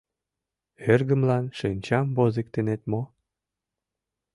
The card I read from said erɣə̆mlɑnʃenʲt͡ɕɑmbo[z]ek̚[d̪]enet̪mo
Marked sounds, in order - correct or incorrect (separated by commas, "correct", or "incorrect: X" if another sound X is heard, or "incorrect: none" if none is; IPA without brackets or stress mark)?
correct, incorrect: t̪